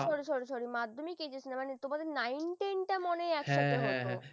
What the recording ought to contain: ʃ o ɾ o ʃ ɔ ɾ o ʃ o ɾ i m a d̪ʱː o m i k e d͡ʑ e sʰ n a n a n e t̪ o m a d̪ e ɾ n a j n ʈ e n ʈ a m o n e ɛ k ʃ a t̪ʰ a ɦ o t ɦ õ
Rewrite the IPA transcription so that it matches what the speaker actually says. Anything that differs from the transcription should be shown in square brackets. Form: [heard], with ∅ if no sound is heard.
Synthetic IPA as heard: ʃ [ɔ] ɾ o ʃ ɔ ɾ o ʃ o ɾ i m a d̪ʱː o m i k e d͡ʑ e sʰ n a [m] a n e t̪ o m a d̪ e ɾ n a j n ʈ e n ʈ a m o n e ɛ k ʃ a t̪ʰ [e] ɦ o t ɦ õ